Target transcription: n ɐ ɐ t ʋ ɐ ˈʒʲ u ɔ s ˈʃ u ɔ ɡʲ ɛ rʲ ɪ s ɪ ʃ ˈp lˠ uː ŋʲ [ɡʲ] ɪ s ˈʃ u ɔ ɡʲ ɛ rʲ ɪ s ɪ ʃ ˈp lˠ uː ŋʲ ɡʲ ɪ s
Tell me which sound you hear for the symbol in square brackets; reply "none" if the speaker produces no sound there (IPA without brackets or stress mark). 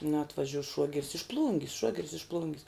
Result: ɡʲ